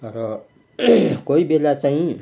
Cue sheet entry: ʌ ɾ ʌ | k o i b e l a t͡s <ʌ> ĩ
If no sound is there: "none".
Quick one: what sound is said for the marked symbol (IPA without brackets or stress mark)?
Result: a